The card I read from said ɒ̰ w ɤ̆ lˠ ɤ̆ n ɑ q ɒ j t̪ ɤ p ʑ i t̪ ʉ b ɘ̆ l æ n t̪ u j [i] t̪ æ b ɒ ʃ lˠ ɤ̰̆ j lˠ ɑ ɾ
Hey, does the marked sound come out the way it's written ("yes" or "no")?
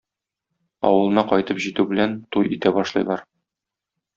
yes